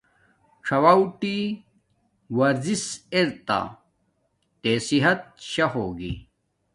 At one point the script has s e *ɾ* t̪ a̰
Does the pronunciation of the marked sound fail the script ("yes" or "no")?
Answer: no